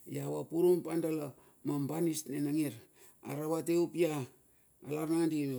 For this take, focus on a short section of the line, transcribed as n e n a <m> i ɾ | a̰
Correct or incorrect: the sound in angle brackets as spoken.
incorrect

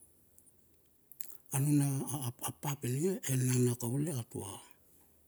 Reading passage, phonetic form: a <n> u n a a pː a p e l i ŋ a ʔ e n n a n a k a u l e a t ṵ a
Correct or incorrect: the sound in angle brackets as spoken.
correct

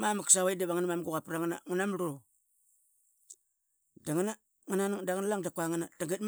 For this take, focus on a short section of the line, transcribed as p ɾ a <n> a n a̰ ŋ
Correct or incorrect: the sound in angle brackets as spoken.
incorrect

